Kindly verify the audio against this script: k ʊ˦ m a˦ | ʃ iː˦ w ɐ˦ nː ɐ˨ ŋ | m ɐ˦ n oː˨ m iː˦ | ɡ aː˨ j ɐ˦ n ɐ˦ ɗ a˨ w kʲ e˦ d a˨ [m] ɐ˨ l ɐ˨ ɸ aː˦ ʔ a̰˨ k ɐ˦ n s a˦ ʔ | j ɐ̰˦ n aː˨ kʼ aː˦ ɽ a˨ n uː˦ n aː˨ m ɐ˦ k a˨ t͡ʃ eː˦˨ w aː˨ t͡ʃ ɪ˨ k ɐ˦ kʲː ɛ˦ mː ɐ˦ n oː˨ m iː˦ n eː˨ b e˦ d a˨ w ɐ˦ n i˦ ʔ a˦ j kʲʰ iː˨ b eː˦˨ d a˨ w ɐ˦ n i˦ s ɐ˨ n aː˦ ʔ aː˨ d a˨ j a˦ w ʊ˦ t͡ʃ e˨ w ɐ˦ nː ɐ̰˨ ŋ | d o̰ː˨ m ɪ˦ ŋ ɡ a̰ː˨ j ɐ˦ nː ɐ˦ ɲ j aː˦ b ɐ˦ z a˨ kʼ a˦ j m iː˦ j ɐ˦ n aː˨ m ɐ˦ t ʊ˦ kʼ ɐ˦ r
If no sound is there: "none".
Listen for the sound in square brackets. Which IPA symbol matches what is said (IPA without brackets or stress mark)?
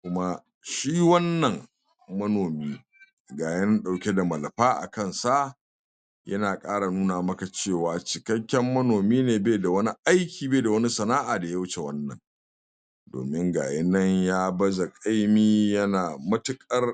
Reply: m